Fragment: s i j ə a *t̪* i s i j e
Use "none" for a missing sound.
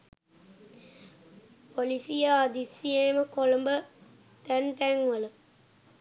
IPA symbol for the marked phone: d̪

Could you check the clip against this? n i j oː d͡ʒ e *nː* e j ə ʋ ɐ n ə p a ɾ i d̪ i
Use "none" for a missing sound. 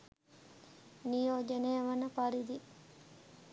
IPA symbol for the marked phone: n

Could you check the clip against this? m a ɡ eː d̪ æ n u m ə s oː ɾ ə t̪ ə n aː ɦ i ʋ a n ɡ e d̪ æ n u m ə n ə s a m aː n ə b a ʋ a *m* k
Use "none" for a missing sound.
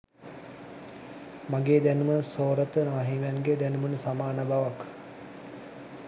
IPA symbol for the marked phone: none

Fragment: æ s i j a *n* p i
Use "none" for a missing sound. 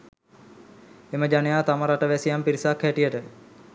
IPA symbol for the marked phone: m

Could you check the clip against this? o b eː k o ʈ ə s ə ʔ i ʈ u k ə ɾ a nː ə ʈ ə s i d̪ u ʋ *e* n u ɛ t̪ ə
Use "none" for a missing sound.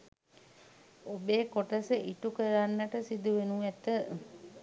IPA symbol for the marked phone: e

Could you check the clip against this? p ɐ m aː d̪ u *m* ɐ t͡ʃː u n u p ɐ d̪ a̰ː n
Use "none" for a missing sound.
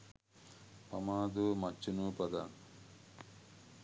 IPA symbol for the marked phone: m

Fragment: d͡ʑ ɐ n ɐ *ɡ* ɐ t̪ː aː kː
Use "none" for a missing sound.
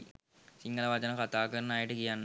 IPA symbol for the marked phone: k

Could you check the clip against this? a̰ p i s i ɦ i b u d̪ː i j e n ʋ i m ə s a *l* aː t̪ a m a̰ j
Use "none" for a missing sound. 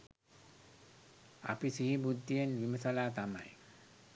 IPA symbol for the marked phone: l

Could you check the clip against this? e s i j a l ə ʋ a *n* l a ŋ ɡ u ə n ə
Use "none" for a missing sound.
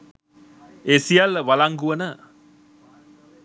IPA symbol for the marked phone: none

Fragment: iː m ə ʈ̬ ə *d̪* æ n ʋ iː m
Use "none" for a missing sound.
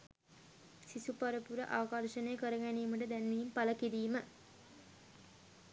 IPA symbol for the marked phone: d̪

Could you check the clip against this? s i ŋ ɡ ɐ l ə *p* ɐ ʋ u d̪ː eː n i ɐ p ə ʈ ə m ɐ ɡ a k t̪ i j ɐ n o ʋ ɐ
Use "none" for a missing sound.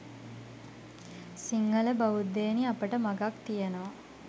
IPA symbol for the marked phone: b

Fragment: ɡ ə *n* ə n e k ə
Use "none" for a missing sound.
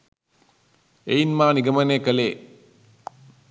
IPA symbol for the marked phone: m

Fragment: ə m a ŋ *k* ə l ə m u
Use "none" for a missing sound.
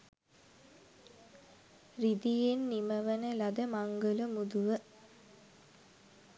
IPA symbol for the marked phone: ɡ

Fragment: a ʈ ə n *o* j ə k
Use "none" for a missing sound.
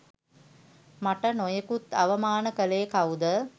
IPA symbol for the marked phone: o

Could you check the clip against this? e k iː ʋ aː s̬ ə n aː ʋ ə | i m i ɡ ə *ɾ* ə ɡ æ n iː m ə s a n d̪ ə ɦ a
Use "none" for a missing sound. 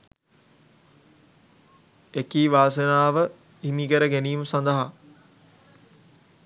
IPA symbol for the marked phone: ɾ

